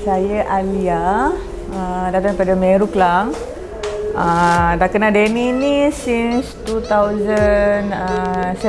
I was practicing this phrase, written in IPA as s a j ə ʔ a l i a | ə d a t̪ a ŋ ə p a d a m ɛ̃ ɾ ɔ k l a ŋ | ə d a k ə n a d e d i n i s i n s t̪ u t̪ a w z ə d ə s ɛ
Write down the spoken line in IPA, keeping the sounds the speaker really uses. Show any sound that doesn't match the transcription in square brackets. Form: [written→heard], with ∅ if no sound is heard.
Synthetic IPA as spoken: s a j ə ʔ a l i a | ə d a t̪ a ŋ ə p a d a m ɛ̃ ɾ [ɔ→u] k l a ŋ | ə d a k ə n a d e [d→n] i n i s i n s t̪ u t̪ a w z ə [d→n] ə s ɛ